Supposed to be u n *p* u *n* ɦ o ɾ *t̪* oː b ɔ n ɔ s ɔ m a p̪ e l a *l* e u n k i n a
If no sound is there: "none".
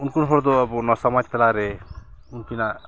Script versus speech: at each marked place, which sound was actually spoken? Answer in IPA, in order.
k, n, d̪, ɾ

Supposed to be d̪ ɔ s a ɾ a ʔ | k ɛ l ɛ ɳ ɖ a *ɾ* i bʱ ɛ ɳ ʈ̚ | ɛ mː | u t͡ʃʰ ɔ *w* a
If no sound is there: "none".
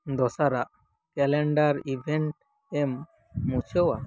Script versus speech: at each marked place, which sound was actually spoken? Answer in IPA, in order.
ɾ, w

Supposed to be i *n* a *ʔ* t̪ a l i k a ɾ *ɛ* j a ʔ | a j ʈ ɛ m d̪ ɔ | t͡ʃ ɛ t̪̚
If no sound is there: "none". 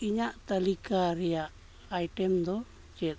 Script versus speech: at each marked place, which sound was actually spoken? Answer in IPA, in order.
ɲ, ʔ, ɛ

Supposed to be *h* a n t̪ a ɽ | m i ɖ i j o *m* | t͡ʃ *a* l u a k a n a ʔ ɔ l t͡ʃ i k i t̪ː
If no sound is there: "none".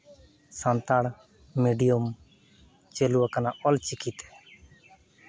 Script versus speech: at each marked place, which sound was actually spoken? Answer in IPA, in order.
s, m, e

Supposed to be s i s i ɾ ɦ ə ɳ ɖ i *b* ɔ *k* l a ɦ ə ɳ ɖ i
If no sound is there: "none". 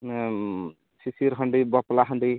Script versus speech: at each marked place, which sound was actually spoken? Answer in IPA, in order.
b, p

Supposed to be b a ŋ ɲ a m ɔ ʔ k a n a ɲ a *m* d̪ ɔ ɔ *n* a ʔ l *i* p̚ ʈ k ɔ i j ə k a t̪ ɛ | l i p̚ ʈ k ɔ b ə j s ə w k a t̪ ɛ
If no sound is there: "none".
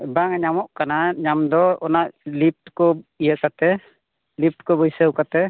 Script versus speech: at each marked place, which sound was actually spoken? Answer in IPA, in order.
m, n, i

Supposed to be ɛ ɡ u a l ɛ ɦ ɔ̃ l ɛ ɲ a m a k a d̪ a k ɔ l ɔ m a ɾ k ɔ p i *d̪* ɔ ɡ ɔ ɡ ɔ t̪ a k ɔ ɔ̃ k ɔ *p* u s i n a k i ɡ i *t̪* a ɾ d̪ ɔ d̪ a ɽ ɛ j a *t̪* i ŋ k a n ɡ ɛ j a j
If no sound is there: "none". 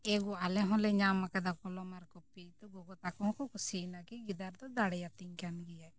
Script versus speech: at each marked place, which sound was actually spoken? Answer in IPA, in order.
t̪, k, d̪, t̪

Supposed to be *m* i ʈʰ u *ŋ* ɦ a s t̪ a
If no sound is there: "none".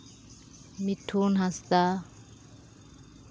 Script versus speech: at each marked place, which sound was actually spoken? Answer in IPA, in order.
m, n

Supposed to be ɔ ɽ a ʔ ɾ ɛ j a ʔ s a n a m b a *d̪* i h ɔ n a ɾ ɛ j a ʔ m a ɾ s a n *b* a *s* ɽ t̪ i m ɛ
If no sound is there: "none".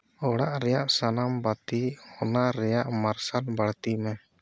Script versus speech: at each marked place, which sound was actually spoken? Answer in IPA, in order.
t̪, b, none

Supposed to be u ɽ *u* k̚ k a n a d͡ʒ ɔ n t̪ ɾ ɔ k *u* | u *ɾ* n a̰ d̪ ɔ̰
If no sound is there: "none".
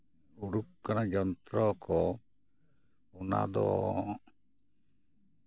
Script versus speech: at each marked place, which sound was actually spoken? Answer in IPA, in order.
u, ɔ, none

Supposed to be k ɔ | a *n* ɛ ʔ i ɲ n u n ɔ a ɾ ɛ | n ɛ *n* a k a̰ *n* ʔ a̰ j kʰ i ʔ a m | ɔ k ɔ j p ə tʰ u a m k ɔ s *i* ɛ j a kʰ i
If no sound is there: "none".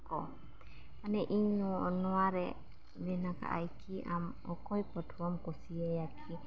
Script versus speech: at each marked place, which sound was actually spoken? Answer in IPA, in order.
n, n, none, i

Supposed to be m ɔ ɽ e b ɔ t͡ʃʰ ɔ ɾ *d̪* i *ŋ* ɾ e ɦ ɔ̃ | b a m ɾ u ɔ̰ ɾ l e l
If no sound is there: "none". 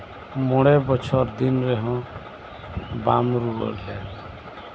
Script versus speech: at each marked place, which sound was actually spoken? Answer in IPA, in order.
d̪, n

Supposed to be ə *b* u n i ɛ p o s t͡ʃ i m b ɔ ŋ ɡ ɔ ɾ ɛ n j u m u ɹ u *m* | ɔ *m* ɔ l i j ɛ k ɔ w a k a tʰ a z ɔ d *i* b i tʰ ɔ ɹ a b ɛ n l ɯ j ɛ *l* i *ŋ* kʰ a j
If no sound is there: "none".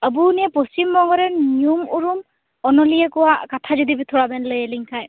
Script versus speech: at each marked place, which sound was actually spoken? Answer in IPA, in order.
b, m, n, i, l, ŋ

